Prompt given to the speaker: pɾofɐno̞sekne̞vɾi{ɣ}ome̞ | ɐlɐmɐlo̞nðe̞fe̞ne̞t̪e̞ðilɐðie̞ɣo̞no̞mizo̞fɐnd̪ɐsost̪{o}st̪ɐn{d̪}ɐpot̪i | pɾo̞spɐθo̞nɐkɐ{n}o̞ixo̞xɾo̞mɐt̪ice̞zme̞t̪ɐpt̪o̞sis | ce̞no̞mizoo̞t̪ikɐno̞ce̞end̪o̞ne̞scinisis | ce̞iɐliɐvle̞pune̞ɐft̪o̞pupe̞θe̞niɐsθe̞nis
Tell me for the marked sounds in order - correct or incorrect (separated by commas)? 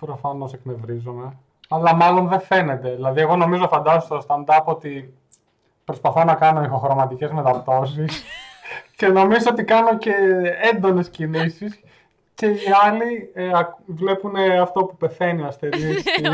incorrect, correct, correct, correct